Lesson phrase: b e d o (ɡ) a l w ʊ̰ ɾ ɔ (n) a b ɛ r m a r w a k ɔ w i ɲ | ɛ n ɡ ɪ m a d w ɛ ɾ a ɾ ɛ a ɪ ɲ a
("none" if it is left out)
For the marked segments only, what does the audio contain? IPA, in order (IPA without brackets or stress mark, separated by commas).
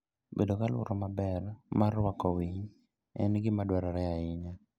k, m